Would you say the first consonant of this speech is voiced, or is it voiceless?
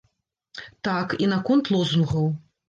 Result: voiceless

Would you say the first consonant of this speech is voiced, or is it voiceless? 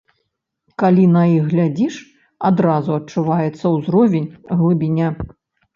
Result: voiceless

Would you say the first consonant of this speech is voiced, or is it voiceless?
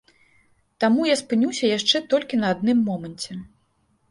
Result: voiceless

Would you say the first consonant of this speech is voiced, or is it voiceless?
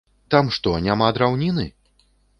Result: voiceless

